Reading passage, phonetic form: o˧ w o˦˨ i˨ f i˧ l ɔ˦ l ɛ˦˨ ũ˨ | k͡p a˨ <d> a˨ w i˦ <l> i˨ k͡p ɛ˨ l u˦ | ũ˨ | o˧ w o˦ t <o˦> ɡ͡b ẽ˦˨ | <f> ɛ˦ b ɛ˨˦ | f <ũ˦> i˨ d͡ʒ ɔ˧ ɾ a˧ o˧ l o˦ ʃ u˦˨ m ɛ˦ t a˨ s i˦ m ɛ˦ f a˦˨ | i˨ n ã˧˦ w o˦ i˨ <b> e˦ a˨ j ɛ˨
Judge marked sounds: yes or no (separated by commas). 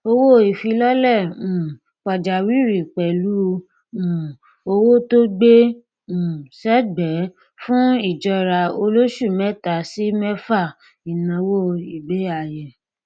no, no, yes, no, yes, yes